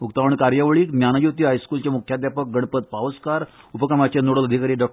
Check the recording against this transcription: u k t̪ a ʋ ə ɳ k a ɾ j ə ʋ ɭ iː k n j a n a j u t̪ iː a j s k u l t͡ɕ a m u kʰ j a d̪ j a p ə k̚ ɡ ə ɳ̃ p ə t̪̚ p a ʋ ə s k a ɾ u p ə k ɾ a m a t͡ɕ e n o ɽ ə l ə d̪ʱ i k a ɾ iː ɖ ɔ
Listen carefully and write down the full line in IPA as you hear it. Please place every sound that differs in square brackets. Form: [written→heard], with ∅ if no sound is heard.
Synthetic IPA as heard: u k t̪ a ʋ ə ɳ k a ɾ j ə ʋ ɭ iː k n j a n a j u t̪ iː a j s k u l t͡ɕ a m u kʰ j a d̪ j a p ə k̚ ɡ ə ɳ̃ p ə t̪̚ p a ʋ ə s k a ɾ u p ə k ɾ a m a t͡ɕ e n o ɽ ə l ə d̪ʱ i k a ɾ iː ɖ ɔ